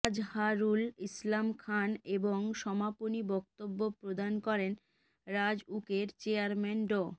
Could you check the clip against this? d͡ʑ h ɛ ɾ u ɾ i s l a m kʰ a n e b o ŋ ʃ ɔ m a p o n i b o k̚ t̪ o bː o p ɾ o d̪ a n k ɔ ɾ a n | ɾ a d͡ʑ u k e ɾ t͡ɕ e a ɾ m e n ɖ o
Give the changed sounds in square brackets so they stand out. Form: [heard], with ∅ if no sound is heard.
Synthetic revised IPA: d͡ʑ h [a] ɾ u [l] i s l a m kʰ a n e b o ŋ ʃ ɔ m a p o n i b [ɔ] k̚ t̪ o bː o p ɾ o d̪ a n k ɔ ɾ [e] n | ɾ a d͡ʑ u k e ɾ t͡ɕ e a ɾ m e n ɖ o